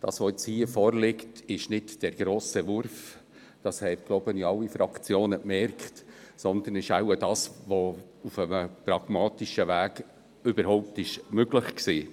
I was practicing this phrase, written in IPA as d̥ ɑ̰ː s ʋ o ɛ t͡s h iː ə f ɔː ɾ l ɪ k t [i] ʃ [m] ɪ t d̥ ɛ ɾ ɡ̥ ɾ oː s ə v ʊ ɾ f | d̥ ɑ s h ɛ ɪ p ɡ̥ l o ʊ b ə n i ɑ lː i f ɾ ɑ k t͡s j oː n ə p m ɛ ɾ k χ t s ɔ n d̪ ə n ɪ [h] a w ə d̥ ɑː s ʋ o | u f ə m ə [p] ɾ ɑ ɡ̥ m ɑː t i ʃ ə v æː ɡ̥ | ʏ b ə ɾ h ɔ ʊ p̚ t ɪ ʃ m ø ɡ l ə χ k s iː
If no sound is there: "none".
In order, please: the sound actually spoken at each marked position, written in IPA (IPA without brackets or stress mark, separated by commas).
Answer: ɪ, n, ʃ, p